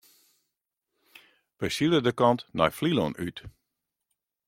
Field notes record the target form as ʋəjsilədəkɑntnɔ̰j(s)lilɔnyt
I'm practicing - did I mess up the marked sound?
yes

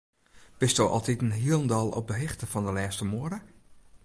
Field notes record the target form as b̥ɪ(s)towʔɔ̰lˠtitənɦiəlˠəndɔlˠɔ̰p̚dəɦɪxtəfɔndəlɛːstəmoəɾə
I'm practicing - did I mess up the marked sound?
no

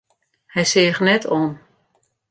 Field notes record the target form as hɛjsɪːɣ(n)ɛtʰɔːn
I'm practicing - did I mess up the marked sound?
no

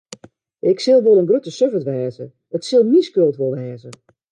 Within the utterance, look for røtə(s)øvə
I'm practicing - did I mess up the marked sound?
no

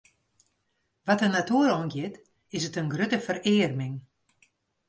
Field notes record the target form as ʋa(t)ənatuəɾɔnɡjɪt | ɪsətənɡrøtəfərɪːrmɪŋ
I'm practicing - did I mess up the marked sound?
no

